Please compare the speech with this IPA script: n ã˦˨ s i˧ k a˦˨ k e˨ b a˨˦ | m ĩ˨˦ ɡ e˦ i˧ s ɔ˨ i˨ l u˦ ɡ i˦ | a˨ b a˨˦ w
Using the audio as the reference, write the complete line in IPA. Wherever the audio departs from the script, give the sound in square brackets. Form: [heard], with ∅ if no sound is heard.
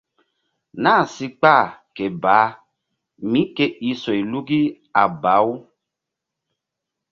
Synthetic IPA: n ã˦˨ s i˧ [k͡p] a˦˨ k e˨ b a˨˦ | m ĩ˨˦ [k] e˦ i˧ s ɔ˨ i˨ l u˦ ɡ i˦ | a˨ b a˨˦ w